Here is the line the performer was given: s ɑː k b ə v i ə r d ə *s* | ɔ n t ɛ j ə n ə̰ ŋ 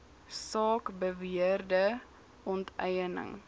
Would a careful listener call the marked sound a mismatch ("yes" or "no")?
yes